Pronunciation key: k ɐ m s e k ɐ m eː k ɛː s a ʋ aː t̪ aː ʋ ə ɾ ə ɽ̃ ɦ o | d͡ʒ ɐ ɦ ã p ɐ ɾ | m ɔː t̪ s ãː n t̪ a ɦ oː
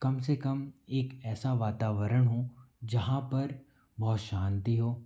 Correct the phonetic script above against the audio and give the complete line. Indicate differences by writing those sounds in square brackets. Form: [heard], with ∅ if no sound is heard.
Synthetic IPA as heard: k ɐ m s e k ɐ m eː k ɛː s a ʋ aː t̪ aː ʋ ə ɾ ə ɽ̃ ɦ o | d͡ʒ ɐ ɦ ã p ɐ ɾ | [b] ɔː t̪ [ʃ] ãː n t̪ [i] ɦ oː